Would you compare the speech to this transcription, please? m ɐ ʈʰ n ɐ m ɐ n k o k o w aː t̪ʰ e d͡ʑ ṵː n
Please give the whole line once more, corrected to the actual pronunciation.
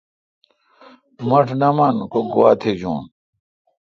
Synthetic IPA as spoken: m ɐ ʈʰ n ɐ m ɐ n k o ɡ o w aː t̪ʰ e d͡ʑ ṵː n